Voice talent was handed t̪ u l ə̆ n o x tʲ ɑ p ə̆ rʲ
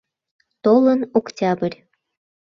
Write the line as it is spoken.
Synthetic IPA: t̪ o l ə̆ n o k tʲ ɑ b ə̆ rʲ